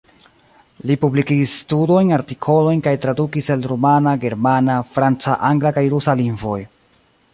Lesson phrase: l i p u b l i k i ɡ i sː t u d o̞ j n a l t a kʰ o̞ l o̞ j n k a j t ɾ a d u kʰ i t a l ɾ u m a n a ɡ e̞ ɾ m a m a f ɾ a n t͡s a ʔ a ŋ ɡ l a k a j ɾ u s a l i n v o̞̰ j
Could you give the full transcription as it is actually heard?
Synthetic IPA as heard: l i p u b l i k i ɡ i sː t u d o̞ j n a ɾ t i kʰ o̞ l o̞ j n k a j t ɾ a d u k i s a l ɾ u m a n a ɡ e̞ ɾ m a n a f ɾ a n t͡s a ʔ a ŋ ɡ l a k a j ɾ u s a l i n v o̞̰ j